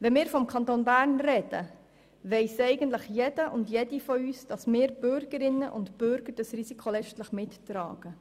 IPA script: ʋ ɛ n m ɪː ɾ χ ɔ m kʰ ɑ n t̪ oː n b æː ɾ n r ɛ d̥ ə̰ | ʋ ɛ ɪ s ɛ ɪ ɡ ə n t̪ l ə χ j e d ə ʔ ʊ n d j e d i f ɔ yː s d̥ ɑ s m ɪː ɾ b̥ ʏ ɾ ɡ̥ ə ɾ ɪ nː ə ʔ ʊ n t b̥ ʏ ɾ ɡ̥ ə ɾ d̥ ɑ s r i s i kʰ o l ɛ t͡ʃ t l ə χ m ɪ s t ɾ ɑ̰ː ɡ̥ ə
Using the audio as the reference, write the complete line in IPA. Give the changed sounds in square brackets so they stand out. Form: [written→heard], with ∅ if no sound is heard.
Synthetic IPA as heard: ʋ ɛ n m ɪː ɾ [χ→f] ɔ m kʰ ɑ n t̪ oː n b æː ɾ n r ɛ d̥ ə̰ | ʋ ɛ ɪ s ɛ ɪ ɡ ə n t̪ l ə χ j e d ə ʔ ʊ n d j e d i f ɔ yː s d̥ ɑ s m ɪː ɾ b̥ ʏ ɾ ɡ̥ ə ɾ ɪ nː ə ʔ ʊ n t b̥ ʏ ɾ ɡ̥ ə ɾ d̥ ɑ s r i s i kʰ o l ɛ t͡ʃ t l ə χ m ɪ [s→t] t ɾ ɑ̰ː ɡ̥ ə